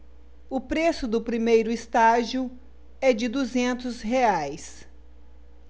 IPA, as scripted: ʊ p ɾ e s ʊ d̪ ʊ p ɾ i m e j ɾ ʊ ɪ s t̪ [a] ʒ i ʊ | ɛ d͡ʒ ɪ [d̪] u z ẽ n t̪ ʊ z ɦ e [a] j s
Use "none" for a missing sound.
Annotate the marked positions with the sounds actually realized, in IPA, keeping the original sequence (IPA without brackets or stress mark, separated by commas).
a, d̪, a